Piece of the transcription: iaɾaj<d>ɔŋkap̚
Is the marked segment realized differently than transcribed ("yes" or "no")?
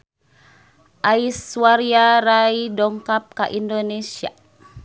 no